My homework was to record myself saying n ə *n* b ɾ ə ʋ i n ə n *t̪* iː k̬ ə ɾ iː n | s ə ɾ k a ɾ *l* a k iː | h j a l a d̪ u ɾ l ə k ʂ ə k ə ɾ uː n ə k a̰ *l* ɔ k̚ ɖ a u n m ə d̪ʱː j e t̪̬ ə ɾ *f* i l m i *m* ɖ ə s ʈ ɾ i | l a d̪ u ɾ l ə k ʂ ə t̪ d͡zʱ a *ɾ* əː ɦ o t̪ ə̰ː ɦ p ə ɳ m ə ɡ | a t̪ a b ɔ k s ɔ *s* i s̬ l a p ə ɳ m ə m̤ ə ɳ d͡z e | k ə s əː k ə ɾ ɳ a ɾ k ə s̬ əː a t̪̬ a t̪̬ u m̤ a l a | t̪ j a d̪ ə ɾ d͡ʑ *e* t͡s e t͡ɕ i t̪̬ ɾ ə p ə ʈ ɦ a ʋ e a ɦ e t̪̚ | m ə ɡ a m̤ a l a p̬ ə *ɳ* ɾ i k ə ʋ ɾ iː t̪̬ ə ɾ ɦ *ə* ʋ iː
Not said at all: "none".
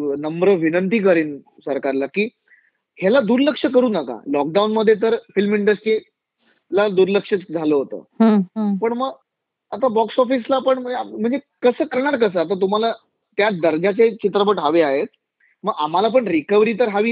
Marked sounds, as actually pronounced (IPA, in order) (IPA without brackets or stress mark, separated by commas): m, t̪, l, l, f, ɳ, l, f, a, ɳ, a